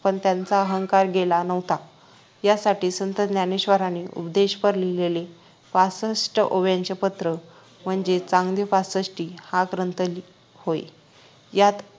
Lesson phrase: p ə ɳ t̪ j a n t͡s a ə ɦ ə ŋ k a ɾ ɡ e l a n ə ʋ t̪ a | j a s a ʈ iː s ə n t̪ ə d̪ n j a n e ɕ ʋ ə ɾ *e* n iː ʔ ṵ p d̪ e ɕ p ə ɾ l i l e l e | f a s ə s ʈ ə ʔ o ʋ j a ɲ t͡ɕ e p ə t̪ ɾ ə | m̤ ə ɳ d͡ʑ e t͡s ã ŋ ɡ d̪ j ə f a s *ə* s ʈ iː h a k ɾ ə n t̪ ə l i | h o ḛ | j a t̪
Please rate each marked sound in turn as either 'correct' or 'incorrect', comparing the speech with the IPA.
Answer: incorrect, correct

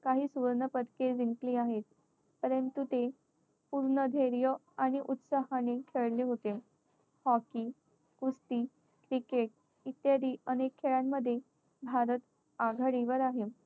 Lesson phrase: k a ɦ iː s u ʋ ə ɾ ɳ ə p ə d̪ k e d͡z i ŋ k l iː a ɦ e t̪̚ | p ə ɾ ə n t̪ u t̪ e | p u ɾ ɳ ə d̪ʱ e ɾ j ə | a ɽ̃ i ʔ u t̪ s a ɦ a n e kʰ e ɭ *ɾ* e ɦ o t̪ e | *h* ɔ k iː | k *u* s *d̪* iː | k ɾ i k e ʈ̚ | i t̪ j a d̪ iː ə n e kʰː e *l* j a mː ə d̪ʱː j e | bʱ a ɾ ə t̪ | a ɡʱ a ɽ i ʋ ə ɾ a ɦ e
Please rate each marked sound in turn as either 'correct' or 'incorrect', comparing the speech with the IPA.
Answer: incorrect, correct, correct, incorrect, incorrect

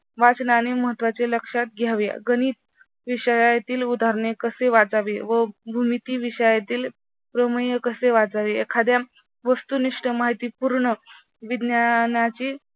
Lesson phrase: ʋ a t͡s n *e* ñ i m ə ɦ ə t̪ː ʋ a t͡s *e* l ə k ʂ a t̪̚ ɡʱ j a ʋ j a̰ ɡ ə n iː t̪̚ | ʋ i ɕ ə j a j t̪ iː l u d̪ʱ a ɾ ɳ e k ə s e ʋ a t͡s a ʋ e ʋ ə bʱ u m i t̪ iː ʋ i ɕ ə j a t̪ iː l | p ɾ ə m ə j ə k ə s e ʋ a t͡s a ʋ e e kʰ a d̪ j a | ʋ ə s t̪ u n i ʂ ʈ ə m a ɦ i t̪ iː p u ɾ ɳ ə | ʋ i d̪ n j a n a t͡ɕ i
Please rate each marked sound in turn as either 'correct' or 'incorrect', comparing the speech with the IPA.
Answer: incorrect, correct

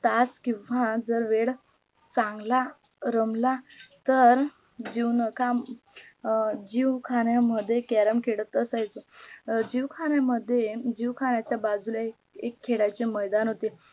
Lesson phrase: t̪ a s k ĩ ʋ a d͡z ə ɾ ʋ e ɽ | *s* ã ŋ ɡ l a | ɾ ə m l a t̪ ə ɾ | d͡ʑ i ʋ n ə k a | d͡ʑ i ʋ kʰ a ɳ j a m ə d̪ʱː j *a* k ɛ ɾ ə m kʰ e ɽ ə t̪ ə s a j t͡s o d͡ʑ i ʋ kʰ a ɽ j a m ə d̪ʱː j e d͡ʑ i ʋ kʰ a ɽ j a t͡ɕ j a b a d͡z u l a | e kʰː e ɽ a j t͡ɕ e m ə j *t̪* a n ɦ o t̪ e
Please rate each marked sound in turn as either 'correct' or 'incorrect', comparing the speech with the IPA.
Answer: incorrect, incorrect, incorrect

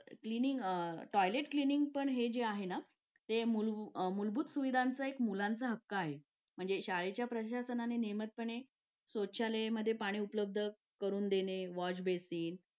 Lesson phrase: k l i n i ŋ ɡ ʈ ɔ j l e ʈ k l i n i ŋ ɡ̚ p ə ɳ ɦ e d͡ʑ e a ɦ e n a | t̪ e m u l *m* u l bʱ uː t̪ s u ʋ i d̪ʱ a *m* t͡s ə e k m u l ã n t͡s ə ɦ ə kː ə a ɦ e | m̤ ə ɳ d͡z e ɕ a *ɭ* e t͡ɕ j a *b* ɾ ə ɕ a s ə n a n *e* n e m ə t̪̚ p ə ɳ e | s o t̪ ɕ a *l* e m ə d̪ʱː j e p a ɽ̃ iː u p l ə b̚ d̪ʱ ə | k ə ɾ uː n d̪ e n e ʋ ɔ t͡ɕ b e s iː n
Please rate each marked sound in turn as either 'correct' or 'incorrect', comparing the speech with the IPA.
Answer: correct, incorrect, correct, incorrect, correct, correct

